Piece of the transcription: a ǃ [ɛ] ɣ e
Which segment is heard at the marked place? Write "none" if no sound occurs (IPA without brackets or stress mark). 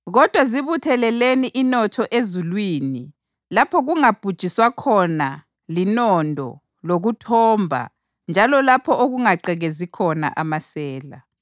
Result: ɛ